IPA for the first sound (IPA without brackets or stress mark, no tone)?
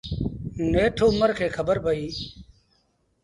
n